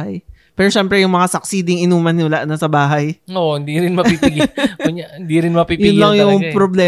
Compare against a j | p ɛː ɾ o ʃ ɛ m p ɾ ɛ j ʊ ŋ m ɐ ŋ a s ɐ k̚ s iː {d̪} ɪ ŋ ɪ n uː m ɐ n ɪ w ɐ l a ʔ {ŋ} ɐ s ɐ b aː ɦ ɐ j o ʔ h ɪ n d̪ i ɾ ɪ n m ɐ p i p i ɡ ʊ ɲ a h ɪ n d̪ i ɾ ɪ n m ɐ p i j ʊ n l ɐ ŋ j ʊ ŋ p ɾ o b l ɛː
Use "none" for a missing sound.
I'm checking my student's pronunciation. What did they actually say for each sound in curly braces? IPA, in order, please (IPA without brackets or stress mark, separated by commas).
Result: d̪, n